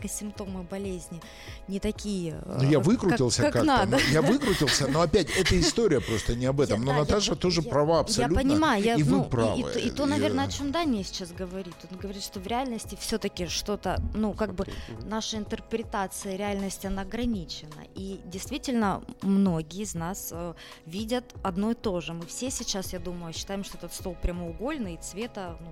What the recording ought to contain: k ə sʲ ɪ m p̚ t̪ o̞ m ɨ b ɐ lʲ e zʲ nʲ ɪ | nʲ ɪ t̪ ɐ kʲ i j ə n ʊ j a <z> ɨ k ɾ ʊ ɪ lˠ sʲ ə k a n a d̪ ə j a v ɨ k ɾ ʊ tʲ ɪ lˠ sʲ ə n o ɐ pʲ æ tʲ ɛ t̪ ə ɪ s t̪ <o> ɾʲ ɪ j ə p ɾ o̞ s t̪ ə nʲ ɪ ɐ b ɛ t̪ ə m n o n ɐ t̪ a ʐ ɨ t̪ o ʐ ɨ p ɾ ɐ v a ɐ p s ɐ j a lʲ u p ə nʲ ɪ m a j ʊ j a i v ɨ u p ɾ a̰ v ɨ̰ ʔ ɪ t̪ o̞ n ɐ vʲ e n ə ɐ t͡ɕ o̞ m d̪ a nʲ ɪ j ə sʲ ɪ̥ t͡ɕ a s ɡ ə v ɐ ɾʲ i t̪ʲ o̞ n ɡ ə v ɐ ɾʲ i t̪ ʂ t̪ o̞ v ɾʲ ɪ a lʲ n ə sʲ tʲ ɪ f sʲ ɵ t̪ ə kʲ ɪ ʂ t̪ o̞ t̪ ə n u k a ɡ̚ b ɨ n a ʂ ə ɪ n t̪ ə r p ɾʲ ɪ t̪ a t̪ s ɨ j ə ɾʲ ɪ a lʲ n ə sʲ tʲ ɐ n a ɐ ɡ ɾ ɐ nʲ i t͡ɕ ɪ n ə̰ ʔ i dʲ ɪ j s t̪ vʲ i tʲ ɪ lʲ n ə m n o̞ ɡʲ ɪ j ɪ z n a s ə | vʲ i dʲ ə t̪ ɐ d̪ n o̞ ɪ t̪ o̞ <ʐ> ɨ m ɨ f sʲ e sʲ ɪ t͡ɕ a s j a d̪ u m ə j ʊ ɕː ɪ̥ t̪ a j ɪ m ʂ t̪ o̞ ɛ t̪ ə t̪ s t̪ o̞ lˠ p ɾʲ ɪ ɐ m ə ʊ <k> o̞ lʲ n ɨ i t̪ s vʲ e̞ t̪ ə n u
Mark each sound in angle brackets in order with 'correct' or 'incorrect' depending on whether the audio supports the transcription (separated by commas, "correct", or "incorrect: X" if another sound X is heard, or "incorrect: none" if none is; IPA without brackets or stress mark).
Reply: incorrect: v, correct, correct, incorrect: ɡ